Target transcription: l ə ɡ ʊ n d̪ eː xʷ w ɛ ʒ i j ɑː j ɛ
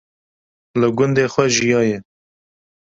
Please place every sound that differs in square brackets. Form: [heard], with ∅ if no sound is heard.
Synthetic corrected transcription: l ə ɡ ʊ n d̪ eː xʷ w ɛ ʒ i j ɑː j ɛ